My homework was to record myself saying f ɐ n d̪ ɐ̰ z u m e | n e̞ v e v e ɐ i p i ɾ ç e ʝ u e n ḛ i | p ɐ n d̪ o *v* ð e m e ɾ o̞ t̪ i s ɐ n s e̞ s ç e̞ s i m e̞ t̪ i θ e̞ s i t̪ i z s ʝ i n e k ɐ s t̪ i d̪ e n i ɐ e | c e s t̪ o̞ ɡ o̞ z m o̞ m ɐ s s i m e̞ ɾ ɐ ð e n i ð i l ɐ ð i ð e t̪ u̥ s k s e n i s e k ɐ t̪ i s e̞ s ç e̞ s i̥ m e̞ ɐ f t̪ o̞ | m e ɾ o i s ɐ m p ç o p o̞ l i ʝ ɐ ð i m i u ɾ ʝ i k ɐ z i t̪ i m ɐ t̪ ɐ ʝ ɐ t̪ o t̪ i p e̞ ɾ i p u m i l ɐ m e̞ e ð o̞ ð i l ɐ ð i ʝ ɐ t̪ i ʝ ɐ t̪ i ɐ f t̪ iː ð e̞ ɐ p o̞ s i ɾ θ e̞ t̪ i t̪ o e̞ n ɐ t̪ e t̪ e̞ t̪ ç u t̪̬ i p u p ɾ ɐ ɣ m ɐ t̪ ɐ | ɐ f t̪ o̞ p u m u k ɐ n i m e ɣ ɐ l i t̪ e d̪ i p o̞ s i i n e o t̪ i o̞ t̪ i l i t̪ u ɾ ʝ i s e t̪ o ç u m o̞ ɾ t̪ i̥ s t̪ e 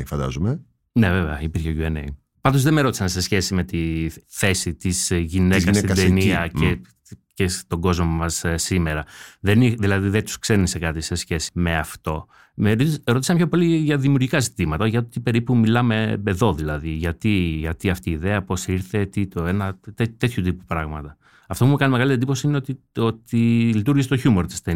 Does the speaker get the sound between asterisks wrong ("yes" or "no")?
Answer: yes